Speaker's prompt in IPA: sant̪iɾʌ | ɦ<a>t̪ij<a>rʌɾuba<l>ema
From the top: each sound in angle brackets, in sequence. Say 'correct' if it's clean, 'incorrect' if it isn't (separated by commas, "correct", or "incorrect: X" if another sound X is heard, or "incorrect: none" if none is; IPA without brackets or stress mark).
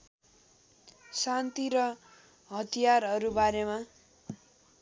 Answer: incorrect: ʌ, correct, incorrect: ɾ